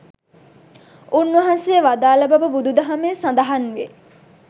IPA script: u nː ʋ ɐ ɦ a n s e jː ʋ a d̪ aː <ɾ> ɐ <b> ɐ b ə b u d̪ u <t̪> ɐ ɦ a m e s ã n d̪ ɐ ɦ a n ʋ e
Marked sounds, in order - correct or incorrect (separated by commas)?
incorrect, correct, incorrect